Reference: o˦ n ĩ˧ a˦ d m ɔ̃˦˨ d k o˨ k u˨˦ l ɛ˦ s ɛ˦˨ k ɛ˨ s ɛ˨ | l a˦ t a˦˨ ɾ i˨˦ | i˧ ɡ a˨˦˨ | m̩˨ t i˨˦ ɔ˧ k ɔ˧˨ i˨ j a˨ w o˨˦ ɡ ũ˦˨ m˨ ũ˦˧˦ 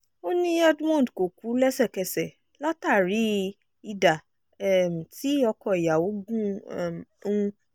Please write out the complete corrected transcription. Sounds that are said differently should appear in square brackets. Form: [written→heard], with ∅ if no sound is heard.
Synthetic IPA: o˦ n ĩ˧ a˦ d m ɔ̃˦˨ d k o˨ k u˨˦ l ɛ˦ s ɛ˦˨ k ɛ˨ s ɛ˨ | l a˦ t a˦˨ ɾ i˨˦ | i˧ [ɡ→d] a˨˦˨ | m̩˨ t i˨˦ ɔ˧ k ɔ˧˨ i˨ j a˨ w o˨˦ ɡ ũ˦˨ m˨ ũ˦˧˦